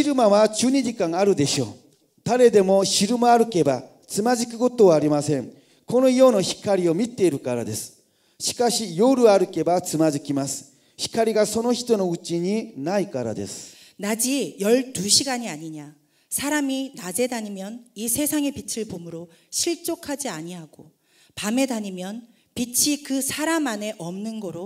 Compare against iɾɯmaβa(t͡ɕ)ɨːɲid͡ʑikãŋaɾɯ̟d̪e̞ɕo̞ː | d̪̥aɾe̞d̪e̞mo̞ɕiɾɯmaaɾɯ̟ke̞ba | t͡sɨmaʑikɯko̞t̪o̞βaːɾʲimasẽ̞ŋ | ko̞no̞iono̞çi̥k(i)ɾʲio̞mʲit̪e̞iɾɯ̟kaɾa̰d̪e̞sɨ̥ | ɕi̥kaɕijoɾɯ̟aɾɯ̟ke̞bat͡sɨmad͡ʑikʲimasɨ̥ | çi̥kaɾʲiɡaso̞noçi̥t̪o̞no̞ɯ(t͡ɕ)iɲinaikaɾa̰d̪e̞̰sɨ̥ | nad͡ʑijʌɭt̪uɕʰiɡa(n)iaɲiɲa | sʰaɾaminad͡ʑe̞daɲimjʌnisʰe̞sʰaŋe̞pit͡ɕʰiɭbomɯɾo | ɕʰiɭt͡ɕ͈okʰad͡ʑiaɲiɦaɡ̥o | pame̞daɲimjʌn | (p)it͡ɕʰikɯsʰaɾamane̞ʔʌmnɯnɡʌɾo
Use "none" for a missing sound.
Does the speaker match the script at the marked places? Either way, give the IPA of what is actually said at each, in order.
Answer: t͡ɕ, a, t͡ɕ, ɲ, p

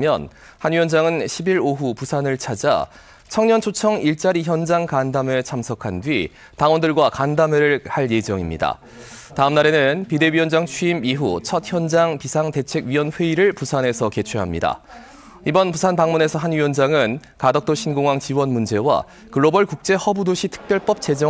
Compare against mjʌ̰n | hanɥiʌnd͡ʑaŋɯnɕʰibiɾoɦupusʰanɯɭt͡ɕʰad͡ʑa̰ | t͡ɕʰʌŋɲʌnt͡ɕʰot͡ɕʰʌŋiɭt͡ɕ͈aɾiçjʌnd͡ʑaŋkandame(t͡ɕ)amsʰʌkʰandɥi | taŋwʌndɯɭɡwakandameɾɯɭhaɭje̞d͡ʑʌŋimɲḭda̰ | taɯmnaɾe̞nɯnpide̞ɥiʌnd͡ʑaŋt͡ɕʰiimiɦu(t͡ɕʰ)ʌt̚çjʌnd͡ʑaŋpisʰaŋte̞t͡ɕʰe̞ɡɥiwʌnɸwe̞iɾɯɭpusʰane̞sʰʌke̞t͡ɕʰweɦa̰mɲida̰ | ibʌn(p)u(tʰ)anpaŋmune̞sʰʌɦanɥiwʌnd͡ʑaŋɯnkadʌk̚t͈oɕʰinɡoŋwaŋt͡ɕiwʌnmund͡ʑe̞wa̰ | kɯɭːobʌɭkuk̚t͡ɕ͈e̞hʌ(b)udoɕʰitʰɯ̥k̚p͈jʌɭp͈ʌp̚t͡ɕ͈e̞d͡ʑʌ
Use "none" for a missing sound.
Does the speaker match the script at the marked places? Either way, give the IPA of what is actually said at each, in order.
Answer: t͡ɕʰ, t͡ɕʰ, p, sʰ, b

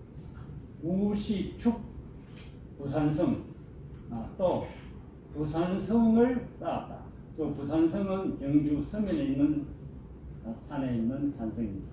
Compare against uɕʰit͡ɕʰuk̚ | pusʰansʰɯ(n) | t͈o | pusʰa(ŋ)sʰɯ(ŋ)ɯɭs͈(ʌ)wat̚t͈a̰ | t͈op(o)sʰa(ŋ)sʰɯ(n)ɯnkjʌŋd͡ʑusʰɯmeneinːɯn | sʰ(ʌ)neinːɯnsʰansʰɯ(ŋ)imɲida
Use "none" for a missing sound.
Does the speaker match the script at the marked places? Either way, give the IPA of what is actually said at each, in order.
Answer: ŋ, n, ŋ, a, u, n, ŋ, a, ŋ

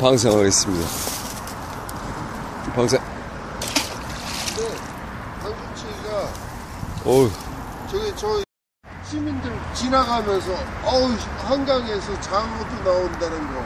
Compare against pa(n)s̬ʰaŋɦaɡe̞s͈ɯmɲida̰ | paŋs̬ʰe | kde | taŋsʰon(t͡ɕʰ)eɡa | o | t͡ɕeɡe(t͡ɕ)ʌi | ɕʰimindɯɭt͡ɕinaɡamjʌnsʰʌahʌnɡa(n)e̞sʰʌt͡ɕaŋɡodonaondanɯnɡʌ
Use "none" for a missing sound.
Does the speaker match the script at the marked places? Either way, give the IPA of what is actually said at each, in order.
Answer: ŋ, t͡ɕʰ, t͡ɕ, ŋ

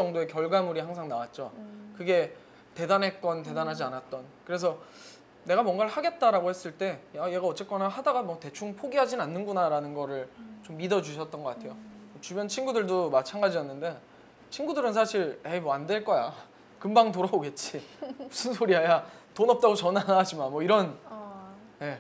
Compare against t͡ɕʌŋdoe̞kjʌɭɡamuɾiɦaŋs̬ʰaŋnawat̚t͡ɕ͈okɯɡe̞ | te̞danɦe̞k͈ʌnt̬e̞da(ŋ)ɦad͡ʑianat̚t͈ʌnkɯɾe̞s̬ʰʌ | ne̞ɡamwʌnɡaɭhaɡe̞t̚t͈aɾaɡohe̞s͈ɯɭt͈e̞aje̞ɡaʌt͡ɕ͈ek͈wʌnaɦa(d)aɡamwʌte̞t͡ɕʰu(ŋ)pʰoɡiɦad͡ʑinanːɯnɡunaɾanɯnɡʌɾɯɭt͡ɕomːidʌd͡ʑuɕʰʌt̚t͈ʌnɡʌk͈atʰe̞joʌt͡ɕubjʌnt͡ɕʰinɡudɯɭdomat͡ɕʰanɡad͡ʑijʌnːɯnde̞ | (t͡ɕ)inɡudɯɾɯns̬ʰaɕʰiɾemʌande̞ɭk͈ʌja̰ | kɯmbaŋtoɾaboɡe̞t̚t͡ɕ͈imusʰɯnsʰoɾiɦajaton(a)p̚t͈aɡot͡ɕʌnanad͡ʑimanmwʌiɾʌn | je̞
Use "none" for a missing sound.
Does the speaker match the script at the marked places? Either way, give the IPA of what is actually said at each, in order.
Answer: n, d, ŋ, t͡ɕʰ, ʌ

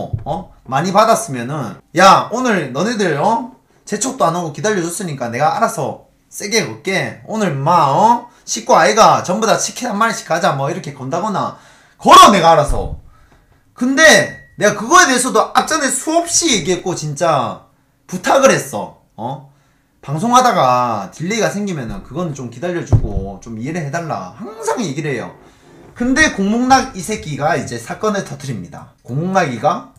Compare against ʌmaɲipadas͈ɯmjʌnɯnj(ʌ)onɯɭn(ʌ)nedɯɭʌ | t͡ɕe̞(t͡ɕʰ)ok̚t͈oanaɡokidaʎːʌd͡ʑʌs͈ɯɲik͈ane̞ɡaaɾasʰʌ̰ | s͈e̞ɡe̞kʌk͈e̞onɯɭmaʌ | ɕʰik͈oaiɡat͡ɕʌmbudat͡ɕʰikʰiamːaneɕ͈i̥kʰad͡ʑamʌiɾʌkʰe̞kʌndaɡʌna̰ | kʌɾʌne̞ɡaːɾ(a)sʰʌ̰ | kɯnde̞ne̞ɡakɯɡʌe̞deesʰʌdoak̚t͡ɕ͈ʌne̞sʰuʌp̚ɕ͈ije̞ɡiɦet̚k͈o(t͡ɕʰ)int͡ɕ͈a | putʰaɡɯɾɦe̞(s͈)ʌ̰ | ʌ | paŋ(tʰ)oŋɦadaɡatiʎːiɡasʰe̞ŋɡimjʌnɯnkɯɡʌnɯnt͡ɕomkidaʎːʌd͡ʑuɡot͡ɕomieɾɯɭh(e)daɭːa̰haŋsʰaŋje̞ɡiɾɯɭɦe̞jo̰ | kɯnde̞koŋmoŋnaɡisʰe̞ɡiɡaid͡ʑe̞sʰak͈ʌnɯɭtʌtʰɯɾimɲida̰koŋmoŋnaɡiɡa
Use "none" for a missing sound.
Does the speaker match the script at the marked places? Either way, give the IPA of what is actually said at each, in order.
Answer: a, ʌ, t͡ɕʰ, a, t͡ɕ, s͈, sʰ, e

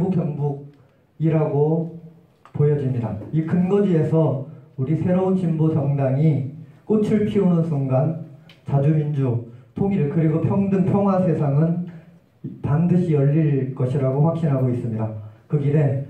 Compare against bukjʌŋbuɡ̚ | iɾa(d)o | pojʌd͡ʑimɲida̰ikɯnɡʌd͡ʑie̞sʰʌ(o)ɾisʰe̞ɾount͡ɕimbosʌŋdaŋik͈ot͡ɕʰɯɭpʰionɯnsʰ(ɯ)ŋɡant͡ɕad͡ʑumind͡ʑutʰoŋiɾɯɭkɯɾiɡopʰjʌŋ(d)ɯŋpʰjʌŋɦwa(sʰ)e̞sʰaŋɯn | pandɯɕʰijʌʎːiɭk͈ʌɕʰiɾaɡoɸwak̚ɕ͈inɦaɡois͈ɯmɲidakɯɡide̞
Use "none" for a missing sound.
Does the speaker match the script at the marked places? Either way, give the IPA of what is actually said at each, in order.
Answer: ɡ, u, u, d, sʰ

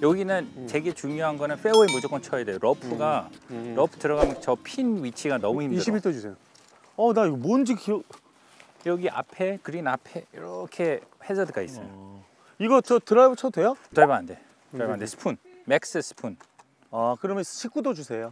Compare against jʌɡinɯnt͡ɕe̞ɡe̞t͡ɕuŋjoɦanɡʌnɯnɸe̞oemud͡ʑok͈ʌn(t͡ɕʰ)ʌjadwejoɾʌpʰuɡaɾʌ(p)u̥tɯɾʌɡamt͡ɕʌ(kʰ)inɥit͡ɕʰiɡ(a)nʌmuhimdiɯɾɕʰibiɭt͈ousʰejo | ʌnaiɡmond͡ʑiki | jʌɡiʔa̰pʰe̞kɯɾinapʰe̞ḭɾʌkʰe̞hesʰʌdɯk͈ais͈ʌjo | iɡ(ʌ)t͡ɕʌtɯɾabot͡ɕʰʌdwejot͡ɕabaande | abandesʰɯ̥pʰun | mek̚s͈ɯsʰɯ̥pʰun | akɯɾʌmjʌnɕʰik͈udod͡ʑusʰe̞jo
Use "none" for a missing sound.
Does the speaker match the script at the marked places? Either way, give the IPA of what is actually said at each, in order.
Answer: t͡ɕʰ, pʰ, pʰ, a, ʌ

